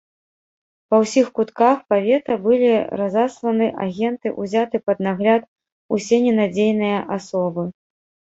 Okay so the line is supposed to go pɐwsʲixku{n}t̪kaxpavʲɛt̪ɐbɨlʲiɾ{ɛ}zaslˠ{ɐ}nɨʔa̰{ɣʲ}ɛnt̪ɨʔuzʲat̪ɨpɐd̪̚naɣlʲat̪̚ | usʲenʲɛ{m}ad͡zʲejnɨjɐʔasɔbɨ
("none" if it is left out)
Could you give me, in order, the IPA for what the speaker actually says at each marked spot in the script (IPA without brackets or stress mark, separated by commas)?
none, a, ɐ, ɣʲ, n